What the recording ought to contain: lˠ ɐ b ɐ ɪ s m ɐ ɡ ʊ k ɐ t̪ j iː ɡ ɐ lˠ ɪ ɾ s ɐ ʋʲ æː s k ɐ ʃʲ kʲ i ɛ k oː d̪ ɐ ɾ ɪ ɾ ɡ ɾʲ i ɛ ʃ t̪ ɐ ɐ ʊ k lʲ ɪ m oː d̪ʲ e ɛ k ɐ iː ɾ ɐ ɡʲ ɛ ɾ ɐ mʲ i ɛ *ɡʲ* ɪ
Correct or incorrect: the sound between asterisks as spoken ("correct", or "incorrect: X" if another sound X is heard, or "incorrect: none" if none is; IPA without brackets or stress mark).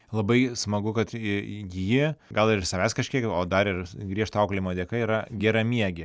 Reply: correct